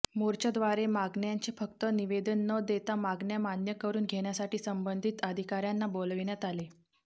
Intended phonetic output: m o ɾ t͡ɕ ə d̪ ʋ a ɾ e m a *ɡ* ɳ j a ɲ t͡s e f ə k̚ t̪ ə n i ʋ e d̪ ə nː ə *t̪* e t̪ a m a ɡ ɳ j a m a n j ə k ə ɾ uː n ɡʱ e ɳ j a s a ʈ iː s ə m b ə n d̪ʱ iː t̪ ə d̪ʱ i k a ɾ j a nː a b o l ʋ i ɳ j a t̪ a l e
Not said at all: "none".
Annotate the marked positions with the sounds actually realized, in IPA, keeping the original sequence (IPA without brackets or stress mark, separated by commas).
ɡ, d̪